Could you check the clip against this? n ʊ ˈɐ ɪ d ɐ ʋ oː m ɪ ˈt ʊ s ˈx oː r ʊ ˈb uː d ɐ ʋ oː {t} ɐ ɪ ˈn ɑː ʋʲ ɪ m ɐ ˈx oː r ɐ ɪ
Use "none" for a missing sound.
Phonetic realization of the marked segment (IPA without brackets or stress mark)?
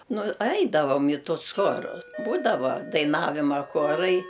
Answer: d